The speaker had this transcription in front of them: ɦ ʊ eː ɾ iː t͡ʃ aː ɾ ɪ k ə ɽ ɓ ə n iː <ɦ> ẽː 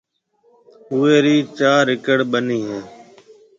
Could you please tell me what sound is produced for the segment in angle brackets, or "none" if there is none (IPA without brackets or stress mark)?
ɦ